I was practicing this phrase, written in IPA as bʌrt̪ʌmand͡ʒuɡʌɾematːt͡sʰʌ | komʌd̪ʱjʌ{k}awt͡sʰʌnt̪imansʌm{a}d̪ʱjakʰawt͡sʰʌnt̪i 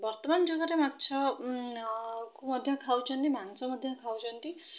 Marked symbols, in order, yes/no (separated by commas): no, no